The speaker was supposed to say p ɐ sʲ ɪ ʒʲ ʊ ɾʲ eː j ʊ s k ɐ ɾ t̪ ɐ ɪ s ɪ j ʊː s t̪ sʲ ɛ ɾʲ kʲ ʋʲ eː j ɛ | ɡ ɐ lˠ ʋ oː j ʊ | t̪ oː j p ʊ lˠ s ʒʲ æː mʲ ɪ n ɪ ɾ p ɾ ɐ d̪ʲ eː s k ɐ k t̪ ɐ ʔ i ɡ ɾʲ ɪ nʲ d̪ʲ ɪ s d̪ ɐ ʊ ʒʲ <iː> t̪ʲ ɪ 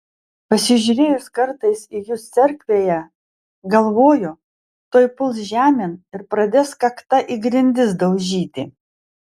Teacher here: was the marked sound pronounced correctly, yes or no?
yes